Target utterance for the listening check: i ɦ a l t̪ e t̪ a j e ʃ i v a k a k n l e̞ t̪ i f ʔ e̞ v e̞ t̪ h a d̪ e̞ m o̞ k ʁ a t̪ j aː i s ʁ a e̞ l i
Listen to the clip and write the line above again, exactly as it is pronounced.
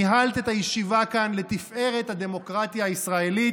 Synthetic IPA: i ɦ a l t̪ e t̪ a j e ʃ i v a k a n l e̞ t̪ i f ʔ e̞ ʁ e̞ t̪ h a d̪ e̞ m o̞ k ʁ a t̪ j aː i s ʁ a e̞ l i